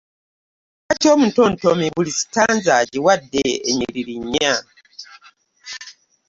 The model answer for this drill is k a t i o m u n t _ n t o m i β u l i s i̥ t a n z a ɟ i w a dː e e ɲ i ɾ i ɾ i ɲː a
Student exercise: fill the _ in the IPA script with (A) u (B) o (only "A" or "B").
B